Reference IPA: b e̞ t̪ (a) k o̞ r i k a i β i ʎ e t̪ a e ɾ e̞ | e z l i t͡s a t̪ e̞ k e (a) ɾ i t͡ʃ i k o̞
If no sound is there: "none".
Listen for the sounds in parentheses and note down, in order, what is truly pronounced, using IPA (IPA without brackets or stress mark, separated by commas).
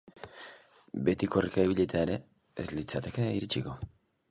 i, i